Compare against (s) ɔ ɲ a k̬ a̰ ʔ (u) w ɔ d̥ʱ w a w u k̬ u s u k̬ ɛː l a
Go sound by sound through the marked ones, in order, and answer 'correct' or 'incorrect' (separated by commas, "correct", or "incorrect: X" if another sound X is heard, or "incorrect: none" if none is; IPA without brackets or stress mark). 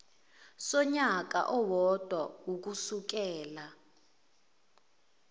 correct, incorrect: ɔ